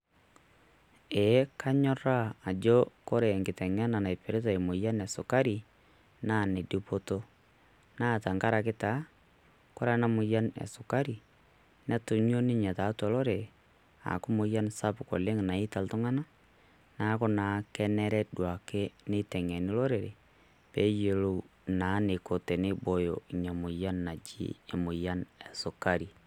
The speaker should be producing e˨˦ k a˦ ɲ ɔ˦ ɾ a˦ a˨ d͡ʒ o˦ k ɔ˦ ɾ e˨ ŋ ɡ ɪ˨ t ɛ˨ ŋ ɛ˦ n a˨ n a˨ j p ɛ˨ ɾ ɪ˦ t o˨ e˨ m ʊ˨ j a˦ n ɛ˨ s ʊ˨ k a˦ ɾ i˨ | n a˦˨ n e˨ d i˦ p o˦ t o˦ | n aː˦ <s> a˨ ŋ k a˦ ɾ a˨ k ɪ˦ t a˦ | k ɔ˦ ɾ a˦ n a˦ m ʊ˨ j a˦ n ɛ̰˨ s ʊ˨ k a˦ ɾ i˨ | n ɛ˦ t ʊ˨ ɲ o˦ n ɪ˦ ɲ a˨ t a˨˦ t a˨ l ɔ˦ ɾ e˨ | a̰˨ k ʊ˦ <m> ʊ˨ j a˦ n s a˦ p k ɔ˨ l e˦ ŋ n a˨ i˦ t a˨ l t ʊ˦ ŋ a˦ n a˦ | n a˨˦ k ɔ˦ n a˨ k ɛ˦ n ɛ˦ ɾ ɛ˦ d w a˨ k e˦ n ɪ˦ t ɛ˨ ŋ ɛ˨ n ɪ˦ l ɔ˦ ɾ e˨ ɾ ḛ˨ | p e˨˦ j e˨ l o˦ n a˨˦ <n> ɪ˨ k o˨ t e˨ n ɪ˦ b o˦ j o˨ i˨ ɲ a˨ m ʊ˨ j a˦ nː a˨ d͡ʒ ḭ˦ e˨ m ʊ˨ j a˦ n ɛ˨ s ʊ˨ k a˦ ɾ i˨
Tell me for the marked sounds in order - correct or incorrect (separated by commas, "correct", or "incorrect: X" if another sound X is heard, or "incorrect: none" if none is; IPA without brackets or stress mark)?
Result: incorrect: t, correct, correct